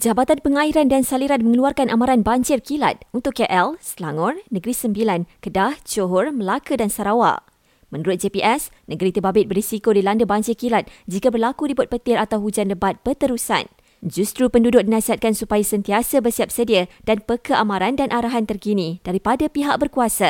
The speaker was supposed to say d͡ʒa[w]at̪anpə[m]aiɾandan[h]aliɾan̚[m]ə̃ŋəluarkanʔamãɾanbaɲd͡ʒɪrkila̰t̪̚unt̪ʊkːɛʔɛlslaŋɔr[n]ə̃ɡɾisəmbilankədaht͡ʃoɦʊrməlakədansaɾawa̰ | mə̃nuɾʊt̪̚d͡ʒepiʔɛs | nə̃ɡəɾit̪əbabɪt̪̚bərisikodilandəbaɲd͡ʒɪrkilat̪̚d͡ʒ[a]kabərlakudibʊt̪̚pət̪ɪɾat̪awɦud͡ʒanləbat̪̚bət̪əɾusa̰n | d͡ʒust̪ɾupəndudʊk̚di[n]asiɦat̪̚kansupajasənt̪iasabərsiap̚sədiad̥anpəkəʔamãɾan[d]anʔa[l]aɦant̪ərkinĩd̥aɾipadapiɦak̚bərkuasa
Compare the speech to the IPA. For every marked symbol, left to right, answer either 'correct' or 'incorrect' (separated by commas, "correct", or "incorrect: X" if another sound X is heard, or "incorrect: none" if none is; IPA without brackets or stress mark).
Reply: incorrect: b, incorrect: ŋ, incorrect: s, correct, correct, incorrect: i, correct, correct, incorrect: ɾ